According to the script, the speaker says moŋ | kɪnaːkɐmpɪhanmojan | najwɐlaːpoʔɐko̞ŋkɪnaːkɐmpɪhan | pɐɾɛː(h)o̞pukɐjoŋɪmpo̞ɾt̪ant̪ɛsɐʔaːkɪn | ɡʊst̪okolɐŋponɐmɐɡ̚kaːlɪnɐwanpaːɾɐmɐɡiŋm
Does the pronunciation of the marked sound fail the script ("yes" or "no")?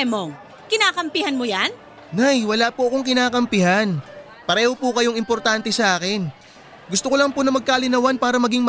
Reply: no